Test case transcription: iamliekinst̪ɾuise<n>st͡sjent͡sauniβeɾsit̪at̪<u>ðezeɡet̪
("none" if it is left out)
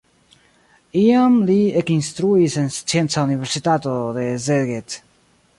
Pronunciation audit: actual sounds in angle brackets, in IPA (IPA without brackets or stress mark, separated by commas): n, o